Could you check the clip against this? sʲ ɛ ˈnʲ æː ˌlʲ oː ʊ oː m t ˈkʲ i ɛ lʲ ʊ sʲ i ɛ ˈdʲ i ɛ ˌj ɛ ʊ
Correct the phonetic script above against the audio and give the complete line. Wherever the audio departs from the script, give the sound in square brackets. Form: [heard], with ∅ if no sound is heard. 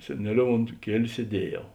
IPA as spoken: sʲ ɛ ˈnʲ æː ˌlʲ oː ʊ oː [n] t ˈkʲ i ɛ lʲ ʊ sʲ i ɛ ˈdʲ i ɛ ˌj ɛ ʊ